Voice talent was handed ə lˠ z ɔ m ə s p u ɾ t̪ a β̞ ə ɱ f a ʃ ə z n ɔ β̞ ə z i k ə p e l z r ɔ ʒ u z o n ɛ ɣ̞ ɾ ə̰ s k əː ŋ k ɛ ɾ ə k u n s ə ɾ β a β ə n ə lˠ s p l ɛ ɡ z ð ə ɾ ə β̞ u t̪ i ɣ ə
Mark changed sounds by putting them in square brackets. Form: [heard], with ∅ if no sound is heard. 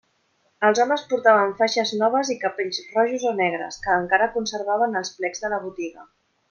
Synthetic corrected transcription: ə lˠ z ɔ m ə s p u ɾ t̪ a β̞ ə ɱ f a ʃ ə z n ɔ β̞ ə z i k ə p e [ʎ] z r ɔ ʒ u z o n ɛ ɣ̞ ɾ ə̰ s k əː ŋ k [a] ɾ ə k u n s ə ɾ β a β ə n ə lˠ s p l ɛ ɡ z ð ə [l] ə β̞ u t̪ i ɣ ə